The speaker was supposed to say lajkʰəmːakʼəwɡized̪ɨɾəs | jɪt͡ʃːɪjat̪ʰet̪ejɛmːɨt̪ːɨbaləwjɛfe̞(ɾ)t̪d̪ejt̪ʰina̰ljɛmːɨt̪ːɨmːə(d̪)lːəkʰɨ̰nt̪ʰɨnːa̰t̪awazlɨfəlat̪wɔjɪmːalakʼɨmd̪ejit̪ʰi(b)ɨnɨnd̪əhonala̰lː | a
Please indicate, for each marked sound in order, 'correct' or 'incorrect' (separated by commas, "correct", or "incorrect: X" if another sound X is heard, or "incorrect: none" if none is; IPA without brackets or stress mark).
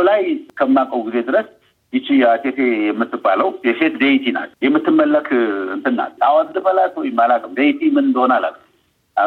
incorrect: none, incorrect: none, incorrect: m